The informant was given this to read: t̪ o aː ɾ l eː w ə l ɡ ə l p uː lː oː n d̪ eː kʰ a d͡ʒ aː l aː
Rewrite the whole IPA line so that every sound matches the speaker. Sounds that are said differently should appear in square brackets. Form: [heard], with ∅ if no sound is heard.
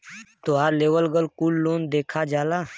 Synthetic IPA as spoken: t̪ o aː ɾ l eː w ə l ɡ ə l [k] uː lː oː n d̪ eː kʰ a d͡ʒ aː l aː

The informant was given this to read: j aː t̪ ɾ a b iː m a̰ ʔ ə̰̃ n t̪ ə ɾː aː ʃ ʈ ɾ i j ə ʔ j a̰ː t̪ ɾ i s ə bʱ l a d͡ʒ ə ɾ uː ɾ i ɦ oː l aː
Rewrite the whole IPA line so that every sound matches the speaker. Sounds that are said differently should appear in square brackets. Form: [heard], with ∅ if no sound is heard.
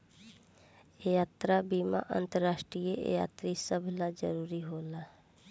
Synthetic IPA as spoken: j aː t̪ ɾ a b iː m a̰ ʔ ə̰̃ n t̪ ə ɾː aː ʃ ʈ ɾ i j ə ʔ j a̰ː t̪ ɾ i s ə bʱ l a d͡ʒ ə ɾ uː ɾ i ɦ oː l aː

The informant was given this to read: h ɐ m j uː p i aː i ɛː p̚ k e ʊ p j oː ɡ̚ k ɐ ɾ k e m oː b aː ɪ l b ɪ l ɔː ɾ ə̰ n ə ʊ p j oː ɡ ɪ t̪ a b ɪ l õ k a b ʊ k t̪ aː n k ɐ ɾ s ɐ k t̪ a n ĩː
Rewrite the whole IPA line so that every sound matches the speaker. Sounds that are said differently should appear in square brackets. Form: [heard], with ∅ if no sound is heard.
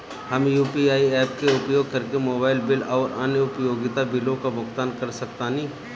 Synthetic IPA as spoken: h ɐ m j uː p i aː i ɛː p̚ k e ʊ p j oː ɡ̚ k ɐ ɾ k e m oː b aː ɪ l b ɪ l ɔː ɾ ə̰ n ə ʊ p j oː ɡ ɪ t̪ a b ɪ l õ k a b ʊ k t̪ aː n k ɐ ɾ s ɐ k t̪ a n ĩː

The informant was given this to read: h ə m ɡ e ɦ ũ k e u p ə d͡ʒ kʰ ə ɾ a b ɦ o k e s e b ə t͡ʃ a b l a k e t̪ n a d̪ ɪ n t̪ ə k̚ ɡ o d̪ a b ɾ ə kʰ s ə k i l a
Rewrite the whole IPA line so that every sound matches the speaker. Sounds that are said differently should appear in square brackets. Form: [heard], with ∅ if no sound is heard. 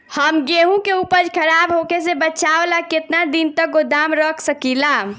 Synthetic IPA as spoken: h ə m ɡ e ɦ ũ k e u p ə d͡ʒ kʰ ə ɾ a b ɦ o k e s e b ə t͡ʃ a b l a k e t̪ n a d̪ [i] n t̪ ə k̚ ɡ o d̪ a [m] ɾ ə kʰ s ə k i l a

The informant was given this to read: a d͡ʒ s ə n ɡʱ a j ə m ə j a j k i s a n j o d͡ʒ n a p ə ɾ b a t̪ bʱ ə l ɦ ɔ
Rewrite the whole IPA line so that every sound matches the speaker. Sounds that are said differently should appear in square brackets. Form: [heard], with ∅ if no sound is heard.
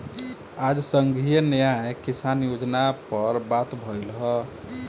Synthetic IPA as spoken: a d͡ʒ s ə [ŋ] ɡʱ [i] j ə [n] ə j a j k i s a n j o d͡ʒ n a p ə ɾ b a t̪ bʱ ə l ɦ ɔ

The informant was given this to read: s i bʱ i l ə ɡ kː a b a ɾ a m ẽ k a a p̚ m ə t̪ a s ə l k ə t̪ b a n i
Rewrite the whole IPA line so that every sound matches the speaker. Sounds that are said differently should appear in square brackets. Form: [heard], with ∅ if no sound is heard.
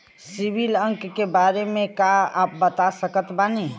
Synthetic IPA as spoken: s i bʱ i l ə [ŋ] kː [e] b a ɾ [e] m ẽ k a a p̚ [b] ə t̪ a s ə [∅] k ə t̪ b a n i

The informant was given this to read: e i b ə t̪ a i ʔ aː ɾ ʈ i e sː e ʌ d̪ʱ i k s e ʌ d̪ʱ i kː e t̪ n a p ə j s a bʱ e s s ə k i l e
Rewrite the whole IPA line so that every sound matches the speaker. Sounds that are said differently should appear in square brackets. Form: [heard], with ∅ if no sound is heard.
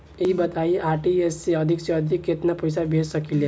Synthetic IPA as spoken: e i b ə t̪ a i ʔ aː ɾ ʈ i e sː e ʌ d̪ʱ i k s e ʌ d̪ʱ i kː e t̪ n a p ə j s a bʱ e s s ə k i l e

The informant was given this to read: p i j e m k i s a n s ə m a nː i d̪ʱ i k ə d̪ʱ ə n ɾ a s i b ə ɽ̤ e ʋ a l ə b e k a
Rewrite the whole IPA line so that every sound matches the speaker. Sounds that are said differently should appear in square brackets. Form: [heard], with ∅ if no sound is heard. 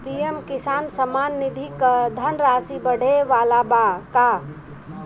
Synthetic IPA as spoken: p i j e m k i s a n s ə m a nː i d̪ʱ i k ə d̪ʱ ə n ɾ a s i b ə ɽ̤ e ʋ a l [a] b [a] k a

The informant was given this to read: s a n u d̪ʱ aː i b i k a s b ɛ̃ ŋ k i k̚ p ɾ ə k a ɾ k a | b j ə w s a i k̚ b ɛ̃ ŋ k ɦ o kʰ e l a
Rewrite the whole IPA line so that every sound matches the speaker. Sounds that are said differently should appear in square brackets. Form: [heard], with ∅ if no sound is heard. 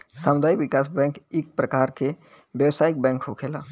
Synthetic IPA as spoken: s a [m] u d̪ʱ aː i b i k a s b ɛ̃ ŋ k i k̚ p ɾ ə k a ɾ k [e] | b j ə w s a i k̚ b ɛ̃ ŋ k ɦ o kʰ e l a

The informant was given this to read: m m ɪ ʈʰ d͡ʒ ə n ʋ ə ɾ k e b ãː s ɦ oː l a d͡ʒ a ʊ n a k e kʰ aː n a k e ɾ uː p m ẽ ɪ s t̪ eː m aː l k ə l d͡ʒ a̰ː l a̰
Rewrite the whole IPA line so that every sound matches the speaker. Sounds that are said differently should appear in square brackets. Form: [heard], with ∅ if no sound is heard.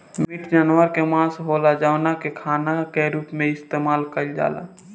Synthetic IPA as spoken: m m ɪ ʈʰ d͡ʒ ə n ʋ ə ɾ k e [m] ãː s ɦ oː l a d͡ʒ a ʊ n a k e kʰ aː n a k e ɾ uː p m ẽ ɪ s t̪ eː m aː l k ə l d͡ʒ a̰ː l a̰

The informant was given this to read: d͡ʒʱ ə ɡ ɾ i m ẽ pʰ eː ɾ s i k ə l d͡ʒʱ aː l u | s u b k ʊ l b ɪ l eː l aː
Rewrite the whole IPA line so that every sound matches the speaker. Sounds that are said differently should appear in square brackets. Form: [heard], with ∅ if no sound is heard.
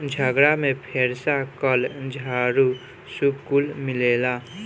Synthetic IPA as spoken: d͡ʒʱ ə ɡ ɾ [a] m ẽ pʰ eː ɾ s [a] k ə l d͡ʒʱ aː [ɾ] u | s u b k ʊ l [m] ɪ l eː l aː

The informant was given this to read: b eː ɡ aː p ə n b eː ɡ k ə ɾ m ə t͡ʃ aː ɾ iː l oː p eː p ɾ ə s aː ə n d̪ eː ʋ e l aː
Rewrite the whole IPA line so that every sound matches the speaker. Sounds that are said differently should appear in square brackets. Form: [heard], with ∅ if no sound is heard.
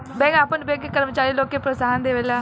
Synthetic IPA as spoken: b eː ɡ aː p ə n b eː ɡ k ə ɾ m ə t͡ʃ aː ɾ iː l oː [k] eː p ɾ ə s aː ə n d̪ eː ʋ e l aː

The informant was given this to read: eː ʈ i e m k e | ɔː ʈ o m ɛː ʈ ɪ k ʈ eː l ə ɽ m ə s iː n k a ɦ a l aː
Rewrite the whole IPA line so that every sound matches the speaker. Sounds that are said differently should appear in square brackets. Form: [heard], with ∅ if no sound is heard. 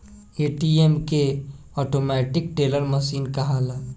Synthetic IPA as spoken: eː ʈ i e m k e | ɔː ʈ o m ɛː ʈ ɪ k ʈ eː l ə [ɾ] m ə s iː n k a ɦ a l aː

